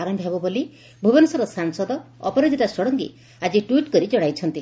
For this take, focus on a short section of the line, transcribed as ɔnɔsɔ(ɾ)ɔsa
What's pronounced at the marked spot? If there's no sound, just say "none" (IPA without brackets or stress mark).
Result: ɾ